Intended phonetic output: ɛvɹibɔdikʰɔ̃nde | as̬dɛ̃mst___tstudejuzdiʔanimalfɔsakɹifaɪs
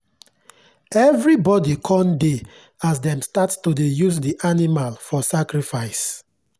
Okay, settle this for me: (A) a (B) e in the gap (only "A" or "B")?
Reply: A